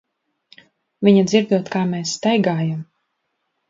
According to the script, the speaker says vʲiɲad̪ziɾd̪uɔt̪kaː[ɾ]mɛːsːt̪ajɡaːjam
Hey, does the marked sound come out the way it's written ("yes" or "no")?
no